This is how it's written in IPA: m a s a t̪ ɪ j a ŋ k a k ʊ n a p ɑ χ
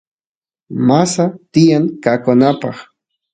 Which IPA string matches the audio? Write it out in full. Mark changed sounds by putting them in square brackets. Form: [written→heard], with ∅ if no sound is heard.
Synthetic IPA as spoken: m a s a t̪ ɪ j a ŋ k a k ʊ n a p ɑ χ